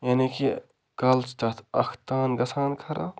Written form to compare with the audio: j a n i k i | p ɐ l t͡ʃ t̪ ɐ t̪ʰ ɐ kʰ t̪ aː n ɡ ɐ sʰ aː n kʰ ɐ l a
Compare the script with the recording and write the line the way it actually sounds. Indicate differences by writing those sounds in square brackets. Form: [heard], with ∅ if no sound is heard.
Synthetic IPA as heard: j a n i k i | [k] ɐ l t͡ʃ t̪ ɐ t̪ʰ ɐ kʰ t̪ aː n ɡ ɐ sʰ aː n kʰ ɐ [ɾ] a